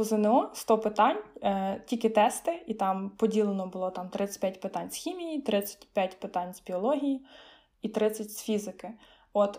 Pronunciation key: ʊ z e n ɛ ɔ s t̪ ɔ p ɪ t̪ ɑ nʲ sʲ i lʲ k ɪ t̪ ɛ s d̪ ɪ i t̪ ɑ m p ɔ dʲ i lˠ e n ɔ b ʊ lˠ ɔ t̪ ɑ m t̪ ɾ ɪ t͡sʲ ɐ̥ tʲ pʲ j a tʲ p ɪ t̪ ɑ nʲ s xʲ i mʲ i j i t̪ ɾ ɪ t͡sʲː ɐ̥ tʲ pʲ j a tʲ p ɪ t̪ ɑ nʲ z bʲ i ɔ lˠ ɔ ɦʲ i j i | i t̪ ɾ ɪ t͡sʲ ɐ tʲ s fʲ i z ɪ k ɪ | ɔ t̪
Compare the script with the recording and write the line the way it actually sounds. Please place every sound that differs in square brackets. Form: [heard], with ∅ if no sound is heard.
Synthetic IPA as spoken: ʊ z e n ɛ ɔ s t̪ ɔ p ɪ t̪ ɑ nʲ [tʲ] i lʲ k ɪ t̪ ɛ s [t̪] ɪ i t̪ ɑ m p ɔ dʲ i lˠ e n ɔ b ʊ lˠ ɔ t̪ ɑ m t̪ ɾ ɪ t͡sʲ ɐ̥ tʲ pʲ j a tʲ p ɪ t̪ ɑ nʲ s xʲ i mʲ i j i t̪ ɾ ɪ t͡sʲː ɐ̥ tʲ pʲ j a tʲ p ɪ t̪ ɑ nʲ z bʲ i ɔ lˠ ɔ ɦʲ i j i | i t̪ ɾ ɪ t͡sʲ ɐ tʲ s fʲ i z ɪ k ɪ | ɔ t̪